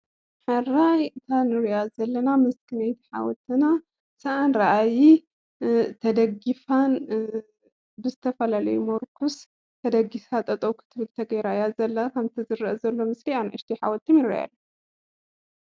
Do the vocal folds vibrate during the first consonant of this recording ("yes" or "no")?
no